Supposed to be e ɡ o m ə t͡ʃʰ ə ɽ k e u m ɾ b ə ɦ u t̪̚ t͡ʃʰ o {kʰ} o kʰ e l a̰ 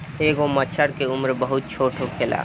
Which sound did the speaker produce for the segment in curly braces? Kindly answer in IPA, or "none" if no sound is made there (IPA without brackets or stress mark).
ʈʰ